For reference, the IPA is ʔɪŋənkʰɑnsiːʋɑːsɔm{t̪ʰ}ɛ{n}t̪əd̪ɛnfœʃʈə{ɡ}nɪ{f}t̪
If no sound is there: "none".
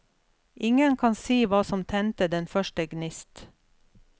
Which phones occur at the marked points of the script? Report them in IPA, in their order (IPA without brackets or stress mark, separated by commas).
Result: t̪ʰ, n, ɡ, s